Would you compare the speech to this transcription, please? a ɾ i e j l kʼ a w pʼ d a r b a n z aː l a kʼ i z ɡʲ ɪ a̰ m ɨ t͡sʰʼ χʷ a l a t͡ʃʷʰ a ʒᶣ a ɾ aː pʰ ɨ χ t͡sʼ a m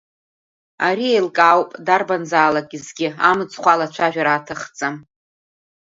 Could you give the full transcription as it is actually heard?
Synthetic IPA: a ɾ i e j l kʼ a w pʼ d a r b a n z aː l a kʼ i z ɡʲ ɪ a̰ m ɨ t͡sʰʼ χʷ a l a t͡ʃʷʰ a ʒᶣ a ɾ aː tʰ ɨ χ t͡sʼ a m